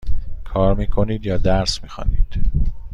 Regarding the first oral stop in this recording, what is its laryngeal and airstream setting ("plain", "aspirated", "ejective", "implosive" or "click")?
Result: aspirated